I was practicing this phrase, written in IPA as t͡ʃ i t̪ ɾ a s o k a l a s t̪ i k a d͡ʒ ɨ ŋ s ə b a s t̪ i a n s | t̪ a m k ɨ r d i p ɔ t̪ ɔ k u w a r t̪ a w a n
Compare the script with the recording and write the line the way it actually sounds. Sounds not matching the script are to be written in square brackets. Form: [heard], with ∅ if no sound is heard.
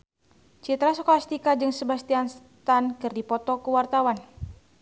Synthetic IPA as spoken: t͡ʃ i t̪ ɾ a s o k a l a s t̪ i k a d͡ʒ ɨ ŋ s ə b a s t̪ i a n s | t̪ a [n] k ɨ r d i p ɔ t̪ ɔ k u w a r t̪ a w a n